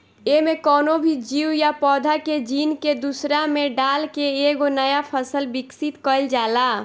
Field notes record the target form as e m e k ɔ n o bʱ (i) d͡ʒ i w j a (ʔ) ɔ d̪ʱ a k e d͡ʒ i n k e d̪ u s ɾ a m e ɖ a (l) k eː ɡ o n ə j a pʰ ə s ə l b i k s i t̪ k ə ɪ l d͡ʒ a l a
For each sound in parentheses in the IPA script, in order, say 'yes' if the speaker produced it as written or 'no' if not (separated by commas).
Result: yes, no, yes